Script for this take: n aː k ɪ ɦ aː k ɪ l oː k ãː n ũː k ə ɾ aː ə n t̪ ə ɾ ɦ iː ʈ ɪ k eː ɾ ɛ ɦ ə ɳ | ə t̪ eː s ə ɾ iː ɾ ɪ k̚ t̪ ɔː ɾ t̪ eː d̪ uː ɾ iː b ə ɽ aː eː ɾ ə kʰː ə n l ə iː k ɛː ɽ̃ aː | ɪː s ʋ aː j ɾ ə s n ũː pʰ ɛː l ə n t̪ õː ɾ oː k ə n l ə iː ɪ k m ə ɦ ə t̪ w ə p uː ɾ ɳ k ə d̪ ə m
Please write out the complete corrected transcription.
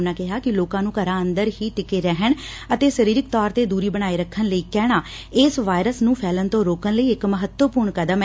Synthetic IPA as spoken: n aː k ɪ ɦ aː k ɪ l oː k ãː n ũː k ə ɾ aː ə n d̪ ə ɾ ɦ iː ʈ ɪ k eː ɾ ɛ ɦ ə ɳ | ə t̪ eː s ə ɾ iː ɾ ɪ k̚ t̪ ɔː ɾ t̪ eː d̪ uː ɾ iː b ə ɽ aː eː ɾ ə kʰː ə n l ə iː k ɛː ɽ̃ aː | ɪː s ʋ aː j ɾ ə s n ũː pʰ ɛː l ə n t̪ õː ɾ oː k ə n l ə iː ɪ k m ə ɦ ə t̪ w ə p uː ɾ ɳ k ə d̪ ə m